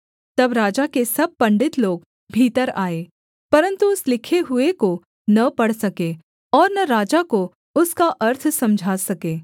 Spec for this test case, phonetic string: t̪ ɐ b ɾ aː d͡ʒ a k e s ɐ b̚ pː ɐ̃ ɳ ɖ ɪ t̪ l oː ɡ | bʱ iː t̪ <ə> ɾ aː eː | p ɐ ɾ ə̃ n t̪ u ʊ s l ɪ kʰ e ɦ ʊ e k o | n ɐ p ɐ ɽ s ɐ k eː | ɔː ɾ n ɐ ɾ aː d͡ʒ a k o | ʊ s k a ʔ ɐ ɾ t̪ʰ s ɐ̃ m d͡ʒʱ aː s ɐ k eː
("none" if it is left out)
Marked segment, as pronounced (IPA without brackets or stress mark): ə